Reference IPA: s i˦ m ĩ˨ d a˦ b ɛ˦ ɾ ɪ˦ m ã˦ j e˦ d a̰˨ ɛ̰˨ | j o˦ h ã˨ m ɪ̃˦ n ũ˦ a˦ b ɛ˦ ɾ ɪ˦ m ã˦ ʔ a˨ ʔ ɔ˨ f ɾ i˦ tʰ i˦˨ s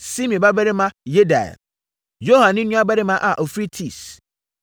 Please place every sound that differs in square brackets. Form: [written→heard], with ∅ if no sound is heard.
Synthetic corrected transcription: s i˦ m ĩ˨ [d→b] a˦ b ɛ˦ ɾ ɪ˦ m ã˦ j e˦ d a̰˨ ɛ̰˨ | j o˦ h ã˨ [m→n] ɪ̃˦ n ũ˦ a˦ b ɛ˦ ɾ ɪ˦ m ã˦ ʔ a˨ ʔ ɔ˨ f ɾ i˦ tʰ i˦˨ s